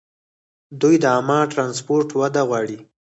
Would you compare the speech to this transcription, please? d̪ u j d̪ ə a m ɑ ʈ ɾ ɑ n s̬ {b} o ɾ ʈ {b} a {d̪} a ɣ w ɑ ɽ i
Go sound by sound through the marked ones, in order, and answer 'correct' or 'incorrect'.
incorrect, incorrect, correct

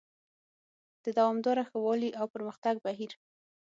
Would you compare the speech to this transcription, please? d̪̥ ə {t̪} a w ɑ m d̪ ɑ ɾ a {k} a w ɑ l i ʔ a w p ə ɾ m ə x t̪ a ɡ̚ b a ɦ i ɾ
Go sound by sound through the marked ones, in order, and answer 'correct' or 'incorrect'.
incorrect, incorrect

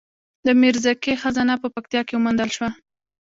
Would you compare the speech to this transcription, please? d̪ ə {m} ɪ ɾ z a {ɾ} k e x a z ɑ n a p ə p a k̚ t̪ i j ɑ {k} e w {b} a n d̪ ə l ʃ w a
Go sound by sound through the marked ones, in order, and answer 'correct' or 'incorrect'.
correct, incorrect, correct, incorrect

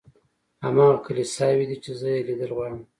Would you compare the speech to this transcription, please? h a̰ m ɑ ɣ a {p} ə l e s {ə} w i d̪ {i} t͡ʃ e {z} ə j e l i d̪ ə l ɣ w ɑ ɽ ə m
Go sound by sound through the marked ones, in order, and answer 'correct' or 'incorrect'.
incorrect, incorrect, correct, correct

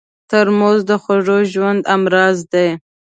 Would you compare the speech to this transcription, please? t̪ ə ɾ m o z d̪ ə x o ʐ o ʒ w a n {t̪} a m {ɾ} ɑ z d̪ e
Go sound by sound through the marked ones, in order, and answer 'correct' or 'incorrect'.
incorrect, correct

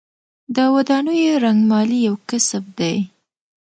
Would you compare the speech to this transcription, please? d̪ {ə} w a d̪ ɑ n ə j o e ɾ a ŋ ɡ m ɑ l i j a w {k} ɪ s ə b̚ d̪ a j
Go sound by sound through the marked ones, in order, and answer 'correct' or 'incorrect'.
correct, correct

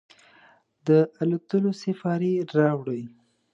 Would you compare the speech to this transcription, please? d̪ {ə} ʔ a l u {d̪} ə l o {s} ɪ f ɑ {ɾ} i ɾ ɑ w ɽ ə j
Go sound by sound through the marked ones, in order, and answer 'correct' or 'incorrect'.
correct, incorrect, correct, correct

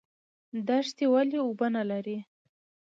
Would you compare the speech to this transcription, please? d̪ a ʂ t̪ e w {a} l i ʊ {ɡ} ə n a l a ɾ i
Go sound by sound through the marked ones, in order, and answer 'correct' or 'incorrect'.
correct, incorrect

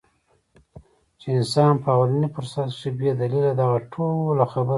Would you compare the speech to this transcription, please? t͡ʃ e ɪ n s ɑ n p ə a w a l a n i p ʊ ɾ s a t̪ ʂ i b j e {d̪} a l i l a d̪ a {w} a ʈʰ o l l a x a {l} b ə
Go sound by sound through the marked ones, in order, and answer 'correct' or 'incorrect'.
correct, incorrect, incorrect

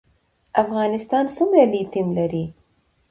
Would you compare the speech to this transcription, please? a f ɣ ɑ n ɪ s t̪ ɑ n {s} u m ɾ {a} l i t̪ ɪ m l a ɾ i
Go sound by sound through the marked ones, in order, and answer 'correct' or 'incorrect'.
correct, correct

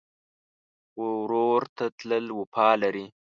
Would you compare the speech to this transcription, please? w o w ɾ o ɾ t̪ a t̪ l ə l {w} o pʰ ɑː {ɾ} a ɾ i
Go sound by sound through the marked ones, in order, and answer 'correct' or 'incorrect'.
correct, incorrect

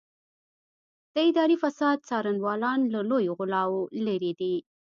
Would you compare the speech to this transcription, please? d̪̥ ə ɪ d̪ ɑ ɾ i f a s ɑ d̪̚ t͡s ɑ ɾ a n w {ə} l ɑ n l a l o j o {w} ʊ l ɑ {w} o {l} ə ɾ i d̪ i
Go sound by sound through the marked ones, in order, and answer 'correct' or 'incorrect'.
incorrect, incorrect, correct, correct

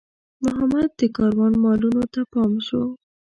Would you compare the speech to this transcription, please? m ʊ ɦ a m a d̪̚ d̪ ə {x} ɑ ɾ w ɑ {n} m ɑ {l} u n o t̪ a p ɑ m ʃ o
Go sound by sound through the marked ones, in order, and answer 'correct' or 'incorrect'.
incorrect, correct, correct

